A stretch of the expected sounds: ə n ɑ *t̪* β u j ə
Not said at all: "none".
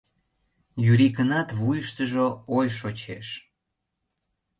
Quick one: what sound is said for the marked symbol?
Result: t̪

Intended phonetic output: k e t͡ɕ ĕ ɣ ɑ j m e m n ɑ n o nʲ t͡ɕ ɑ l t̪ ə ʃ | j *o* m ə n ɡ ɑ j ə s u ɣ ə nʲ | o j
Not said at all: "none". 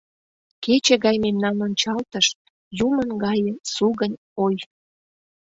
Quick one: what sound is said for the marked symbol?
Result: u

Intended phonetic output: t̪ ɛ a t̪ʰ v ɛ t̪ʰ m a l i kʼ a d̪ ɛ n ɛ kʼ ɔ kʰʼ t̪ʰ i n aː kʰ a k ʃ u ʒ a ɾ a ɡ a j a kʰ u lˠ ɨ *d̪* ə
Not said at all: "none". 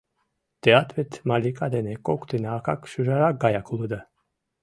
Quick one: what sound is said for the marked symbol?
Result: d̪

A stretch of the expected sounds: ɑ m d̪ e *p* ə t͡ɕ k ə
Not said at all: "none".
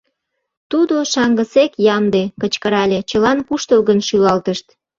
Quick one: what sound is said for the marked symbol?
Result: k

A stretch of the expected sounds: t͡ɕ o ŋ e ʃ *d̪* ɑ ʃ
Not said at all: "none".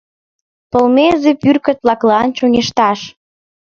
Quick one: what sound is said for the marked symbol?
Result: t̪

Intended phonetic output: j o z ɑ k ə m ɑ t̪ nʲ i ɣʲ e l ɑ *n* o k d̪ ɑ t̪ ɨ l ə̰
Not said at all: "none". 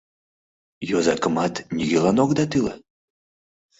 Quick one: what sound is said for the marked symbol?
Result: n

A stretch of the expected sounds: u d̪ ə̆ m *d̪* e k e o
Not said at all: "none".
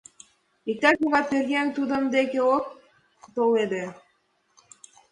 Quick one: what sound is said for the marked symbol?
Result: d̪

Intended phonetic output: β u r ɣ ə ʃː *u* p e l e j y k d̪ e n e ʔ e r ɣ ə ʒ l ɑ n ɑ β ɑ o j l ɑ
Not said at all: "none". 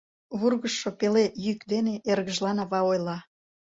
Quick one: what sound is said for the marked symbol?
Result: o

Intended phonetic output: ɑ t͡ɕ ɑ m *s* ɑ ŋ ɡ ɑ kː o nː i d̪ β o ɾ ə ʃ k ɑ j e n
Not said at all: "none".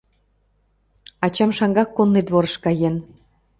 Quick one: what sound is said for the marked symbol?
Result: ʃ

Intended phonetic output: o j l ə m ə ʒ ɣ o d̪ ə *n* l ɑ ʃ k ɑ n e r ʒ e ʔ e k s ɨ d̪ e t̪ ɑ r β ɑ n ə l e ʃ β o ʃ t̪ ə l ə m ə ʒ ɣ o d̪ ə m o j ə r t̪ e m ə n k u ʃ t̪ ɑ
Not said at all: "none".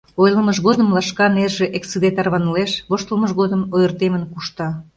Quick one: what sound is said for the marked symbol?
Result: m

